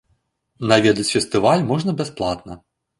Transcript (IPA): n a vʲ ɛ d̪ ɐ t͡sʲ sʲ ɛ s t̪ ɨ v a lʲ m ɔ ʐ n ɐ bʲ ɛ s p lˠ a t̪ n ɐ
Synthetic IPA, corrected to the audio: n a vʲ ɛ d̪ ɐ t͡sʲ fʲ ɛ s t̪ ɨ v a lʲ m ɔ ʐ n ɐ bʲ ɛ s p lˠ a t̪ n ɐ